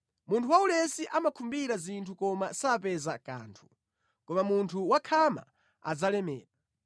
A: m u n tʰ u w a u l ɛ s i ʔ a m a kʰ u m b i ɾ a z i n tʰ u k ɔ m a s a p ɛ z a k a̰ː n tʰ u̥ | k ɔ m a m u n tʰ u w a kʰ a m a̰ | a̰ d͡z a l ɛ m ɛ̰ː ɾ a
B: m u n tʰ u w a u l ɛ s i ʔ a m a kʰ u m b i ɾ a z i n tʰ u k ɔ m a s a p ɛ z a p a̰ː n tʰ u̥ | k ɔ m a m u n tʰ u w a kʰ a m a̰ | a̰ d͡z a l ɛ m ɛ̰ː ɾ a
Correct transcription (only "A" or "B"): A